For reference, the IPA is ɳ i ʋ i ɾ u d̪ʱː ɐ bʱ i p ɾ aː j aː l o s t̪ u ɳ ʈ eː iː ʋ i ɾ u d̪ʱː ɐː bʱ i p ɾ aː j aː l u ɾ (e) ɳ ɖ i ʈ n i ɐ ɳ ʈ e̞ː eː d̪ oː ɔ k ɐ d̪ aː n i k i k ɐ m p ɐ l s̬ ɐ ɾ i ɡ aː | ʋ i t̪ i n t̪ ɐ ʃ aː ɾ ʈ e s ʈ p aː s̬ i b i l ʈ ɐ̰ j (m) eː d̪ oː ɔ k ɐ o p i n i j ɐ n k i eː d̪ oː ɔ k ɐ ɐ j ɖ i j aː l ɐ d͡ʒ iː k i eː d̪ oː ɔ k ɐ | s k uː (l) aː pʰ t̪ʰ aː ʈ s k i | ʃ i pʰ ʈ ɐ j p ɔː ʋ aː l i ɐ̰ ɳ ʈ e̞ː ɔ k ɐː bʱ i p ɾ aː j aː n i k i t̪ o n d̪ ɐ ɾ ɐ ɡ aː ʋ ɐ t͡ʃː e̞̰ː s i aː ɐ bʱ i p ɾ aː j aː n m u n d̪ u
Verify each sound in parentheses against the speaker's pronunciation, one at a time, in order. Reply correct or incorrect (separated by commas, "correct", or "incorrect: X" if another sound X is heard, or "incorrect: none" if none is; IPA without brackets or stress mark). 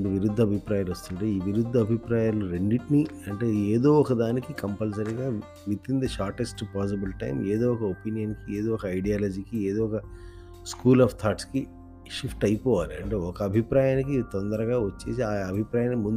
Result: correct, correct, correct